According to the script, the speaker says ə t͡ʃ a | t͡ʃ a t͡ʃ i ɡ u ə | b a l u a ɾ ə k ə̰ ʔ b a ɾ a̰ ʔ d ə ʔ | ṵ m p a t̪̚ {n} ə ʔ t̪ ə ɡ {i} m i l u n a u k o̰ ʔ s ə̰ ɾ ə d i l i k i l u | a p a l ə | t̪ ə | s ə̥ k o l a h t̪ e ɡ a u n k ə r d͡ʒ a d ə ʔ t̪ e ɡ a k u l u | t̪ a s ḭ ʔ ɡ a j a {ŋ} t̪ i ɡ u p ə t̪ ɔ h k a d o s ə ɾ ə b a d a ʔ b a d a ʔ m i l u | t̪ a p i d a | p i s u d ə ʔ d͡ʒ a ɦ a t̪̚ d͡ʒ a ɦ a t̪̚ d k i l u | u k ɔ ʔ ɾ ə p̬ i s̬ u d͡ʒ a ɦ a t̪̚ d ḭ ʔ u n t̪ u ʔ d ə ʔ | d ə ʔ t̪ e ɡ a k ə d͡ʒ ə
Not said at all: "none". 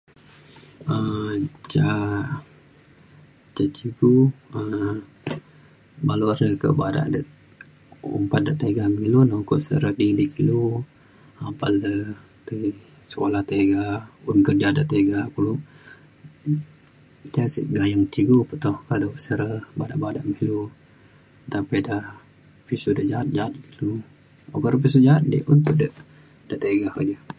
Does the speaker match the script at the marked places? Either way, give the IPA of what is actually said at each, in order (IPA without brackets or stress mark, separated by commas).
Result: d, a, ŋ